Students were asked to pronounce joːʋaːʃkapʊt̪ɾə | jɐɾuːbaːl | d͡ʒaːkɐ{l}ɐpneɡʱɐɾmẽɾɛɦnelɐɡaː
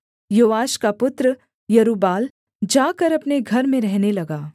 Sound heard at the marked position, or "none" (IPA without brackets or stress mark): ɾ